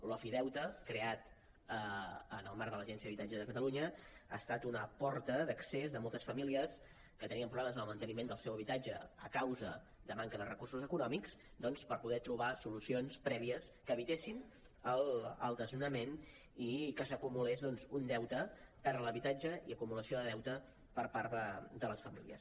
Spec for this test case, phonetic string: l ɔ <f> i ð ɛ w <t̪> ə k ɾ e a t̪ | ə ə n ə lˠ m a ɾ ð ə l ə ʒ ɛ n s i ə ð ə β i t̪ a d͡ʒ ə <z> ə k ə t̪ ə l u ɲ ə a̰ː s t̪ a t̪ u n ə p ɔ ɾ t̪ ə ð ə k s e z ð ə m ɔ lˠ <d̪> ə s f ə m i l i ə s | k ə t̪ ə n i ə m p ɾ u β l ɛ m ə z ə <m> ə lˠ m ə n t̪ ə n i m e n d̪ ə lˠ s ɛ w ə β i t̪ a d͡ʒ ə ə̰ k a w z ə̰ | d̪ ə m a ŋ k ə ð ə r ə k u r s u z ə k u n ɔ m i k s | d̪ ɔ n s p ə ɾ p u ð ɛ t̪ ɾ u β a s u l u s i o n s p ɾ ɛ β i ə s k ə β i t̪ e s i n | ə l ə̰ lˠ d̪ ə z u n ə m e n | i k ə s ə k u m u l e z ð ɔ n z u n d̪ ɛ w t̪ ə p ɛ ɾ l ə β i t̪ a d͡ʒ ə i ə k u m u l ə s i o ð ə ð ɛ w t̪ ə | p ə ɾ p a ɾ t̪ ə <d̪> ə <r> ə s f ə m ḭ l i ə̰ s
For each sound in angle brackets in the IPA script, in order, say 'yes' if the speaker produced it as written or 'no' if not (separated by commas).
yes, yes, no, no, no, yes, no